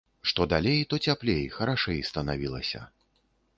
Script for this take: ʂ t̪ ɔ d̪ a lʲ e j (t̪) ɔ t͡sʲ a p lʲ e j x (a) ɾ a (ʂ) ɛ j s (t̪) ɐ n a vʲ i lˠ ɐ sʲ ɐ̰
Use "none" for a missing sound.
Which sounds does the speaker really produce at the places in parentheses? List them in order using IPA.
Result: t̪, ɐ, ʂ, t̪

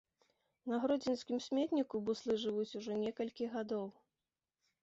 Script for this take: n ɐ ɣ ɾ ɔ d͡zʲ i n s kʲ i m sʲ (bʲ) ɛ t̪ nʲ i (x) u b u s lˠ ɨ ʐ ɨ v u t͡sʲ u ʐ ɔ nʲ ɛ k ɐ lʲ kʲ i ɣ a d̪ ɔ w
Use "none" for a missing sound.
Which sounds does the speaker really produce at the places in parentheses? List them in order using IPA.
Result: mʲ, k

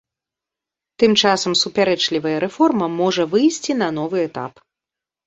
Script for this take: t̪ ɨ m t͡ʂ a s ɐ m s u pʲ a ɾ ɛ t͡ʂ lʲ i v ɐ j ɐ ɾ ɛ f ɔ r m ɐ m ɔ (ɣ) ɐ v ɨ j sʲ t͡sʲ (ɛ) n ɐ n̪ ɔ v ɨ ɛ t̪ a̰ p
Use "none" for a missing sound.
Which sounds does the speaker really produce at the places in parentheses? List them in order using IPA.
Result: ʐ, i

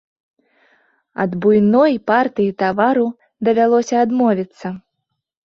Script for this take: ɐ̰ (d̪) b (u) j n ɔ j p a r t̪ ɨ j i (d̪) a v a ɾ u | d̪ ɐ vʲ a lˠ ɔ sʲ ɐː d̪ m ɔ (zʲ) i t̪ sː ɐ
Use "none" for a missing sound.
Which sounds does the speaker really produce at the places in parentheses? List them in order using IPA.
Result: d̪, u, t̪, vʲ

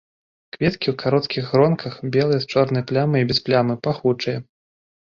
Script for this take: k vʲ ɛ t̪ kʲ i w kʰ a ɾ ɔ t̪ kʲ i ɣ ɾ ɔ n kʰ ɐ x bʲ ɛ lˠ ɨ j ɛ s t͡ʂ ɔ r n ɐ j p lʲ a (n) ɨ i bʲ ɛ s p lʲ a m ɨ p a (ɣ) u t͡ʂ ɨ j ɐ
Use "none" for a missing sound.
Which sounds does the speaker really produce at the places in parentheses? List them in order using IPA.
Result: m, x

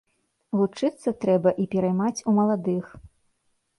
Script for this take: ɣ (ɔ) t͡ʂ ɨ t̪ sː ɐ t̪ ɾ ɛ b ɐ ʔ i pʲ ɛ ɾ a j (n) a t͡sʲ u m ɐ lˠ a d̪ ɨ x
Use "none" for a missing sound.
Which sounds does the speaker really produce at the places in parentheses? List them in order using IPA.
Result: u, m

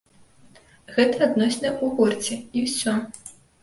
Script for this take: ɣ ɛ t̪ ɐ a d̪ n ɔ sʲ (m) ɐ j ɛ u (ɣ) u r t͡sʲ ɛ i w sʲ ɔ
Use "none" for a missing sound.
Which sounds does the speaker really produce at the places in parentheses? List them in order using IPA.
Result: n, ɣ

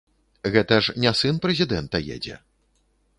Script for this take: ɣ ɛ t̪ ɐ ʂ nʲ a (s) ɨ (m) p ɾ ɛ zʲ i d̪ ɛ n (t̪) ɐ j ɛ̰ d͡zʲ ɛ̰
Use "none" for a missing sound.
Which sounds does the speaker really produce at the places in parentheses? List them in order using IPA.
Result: s, n, t̪

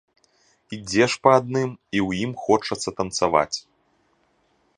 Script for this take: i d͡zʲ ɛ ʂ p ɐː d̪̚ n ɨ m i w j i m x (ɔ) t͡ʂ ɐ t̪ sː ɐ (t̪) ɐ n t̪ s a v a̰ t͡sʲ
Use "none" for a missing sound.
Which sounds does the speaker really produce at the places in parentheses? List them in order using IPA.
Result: ɔ, t̪

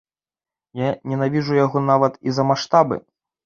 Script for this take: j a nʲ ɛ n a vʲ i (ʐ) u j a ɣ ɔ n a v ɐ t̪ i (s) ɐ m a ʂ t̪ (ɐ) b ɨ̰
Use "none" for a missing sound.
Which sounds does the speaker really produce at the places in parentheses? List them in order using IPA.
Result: ʐ, z, a

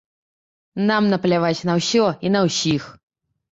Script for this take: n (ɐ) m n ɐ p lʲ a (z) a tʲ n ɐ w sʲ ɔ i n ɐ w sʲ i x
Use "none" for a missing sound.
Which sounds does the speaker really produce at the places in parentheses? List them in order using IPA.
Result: a, v

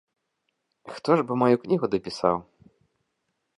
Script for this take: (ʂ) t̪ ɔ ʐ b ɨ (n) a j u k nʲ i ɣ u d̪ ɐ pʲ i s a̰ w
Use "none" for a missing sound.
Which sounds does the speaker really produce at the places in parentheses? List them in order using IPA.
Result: x, m

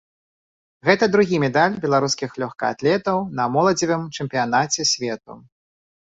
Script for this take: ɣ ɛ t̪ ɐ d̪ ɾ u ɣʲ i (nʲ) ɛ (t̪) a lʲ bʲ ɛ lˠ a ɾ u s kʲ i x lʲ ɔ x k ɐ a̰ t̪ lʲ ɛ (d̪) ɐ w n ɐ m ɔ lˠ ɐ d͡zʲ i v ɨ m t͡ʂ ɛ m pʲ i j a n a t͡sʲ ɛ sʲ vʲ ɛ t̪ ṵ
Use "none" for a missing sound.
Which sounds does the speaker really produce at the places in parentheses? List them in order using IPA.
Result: mʲ, d̪, t̪

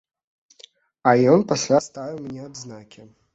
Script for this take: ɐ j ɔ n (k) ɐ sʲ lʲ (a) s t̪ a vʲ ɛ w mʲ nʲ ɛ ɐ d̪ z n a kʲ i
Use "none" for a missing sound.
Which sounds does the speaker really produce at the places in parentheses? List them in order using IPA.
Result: p, a

